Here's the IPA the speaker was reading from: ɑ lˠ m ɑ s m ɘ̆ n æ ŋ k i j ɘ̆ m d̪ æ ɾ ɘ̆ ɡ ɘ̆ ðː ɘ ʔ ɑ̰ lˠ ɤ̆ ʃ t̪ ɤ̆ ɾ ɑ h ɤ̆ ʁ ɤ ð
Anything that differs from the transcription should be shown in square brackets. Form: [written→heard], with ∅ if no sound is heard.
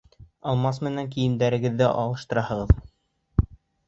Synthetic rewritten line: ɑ lˠ m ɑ s m ɘ̆ n æ ŋ k i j ɘ̆ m d̪ æ ɾ ɘ̆ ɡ ɘ̆ ðː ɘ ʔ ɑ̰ lˠ ɤ̆ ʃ t̪ ɤ̆ ɾ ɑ h ɤ̆ ʁ ɤ ð